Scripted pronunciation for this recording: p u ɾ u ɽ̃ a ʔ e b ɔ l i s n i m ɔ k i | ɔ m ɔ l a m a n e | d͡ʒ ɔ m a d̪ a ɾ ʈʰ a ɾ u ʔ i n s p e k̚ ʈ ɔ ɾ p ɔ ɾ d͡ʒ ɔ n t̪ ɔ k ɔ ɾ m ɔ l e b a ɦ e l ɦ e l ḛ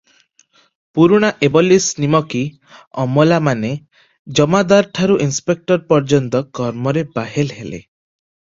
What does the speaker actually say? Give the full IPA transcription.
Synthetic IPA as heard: p u ɾ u ɽ̃ a ʔ e b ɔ l i s n i m ɔ k i | ɔ m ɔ l a m a n e | d͡ʒ ɔ m a d̪ a ɾ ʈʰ a ɾ u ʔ i n s p e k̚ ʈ ɔ ɾ p ɔ ɾ d͡ʒ ɔ n t̪ ɔ k ɔ ɾ m ɔ ɾ e b a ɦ e l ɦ e l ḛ